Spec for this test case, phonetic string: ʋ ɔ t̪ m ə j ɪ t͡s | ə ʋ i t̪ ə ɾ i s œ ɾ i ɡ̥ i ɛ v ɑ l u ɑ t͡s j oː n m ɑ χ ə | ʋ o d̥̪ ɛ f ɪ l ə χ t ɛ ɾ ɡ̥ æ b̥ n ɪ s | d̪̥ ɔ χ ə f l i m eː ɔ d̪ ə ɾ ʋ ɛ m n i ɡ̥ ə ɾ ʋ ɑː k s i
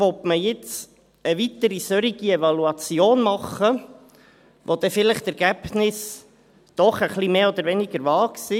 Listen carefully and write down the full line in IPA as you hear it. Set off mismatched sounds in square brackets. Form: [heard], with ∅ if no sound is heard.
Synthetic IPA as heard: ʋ ɔ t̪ m ə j ɪ t͡s | ə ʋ i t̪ ə ɾ i s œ ɾ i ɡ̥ i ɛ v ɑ l u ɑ t͡s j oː n m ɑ χ ə | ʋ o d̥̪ ɛ f ɪ l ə χ t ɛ ɾ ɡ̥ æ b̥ n ɪ s | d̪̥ ɔ χ ə [χ] l i m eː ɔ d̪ ə ɾ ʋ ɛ [∅] n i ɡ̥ ə ɾ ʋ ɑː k s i